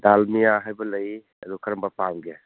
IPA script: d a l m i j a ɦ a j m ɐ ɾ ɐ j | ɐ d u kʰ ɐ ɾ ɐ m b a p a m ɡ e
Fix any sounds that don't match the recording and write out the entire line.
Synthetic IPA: d a l m i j a ɦ a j b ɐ l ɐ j | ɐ d u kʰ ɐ ɾ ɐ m b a p a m ɡ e